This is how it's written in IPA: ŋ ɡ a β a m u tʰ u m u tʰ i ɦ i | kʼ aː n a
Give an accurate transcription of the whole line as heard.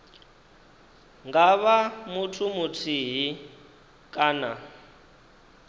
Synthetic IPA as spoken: ŋ ɡ a β a m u tʰ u m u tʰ i ɦ i | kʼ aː n a